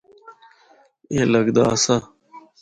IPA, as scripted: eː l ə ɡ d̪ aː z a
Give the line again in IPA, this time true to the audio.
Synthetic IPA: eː l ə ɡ d̪ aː s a